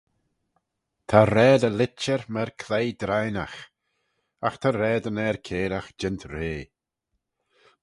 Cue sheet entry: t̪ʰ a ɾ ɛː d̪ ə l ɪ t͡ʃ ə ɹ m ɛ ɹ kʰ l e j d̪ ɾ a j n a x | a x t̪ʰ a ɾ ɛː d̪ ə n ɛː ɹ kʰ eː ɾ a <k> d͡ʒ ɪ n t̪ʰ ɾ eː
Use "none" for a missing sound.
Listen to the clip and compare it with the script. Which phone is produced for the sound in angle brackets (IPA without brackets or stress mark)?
x